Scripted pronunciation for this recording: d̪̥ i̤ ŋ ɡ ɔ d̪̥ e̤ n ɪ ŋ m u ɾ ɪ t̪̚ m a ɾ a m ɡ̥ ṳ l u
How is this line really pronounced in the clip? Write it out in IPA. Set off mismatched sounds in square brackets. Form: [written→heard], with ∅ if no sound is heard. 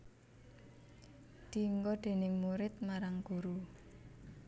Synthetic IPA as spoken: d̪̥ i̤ ŋ ɡ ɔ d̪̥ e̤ n ɪ ŋ m u ɾ ɪ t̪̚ m a ɾ a [m→ŋ] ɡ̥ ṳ [l→ɾ] u